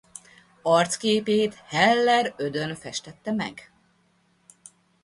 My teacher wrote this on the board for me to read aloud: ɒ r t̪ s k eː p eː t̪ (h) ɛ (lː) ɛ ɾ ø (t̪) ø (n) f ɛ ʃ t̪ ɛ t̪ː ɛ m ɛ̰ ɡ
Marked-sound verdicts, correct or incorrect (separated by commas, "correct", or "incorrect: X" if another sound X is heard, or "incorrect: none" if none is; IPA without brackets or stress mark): correct, correct, incorrect: d̪, correct